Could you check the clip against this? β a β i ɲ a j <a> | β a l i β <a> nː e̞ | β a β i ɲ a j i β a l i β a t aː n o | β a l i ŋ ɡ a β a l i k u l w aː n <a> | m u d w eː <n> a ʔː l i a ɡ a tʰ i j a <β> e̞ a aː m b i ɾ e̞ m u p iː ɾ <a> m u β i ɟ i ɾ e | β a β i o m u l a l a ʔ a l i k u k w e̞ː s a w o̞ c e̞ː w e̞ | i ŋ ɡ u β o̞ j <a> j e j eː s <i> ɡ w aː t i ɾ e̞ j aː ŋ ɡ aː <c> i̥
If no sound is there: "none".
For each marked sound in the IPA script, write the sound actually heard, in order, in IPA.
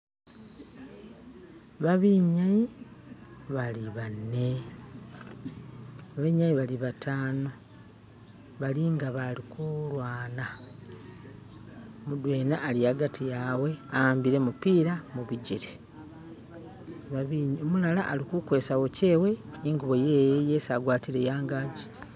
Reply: i, a, a, n, w, a, e, a, ɟ

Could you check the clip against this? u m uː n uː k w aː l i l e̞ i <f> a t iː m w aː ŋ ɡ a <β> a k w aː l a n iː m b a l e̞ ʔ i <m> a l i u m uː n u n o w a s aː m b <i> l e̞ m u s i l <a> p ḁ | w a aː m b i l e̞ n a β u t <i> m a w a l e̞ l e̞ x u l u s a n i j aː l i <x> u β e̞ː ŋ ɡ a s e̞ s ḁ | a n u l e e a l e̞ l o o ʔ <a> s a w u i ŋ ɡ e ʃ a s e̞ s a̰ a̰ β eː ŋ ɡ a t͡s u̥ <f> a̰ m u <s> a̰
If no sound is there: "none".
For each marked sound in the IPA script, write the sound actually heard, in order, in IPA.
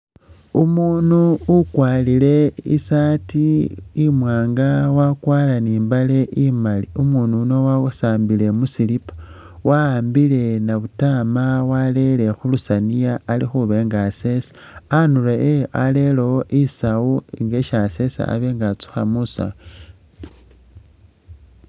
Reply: s, w, m, i, i, a, x, i, x, s

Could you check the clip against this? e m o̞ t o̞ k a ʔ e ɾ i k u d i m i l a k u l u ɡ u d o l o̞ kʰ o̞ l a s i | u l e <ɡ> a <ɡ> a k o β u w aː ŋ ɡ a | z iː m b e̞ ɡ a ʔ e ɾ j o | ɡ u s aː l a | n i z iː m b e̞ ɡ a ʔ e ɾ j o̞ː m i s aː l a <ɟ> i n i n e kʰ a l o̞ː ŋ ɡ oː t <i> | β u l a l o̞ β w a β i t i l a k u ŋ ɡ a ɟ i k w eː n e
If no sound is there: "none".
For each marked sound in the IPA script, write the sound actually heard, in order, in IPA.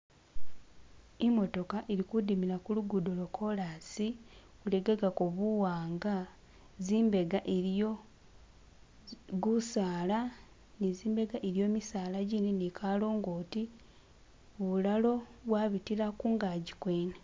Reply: ɡ, ɡ, ɟ, i

